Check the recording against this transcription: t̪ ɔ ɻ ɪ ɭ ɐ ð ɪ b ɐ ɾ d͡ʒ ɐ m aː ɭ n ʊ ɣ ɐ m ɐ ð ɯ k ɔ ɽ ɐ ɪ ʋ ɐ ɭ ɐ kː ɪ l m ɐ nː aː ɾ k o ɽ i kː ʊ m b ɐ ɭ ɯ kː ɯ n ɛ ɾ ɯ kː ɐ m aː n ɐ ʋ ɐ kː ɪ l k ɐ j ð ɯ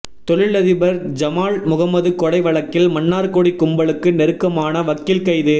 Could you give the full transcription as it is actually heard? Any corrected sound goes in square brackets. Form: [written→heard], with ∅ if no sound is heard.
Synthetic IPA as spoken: t̪ ɔ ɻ ɪ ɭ ɐ ð ɪ b ɐ ɾ d͡ʒ ɐ m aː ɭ [n→m] ʊ ɣ ɐ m ɐ ð ɯ k ɔ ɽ ɐ ɪ ʋ ɐ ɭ ɐ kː ɪ l m ɐ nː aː ɾ k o ɽ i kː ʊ m b ɐ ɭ ɯ kː ɯ n ɛ ɾ ɯ kː ɐ m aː n ɐ ʋ ɐ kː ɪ l k ɐ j ð ɯ